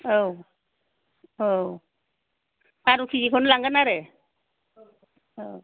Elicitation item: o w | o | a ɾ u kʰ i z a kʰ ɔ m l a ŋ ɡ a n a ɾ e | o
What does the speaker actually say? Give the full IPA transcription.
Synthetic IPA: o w | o | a ɾ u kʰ i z i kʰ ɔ n l a ŋ ɡ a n a ɾ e | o